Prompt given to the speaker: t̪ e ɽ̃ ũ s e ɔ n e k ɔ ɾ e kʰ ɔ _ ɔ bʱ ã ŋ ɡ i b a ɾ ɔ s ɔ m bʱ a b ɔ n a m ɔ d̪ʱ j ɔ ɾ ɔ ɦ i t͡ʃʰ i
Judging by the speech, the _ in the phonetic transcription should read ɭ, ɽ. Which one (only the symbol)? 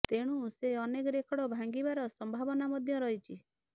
ɽ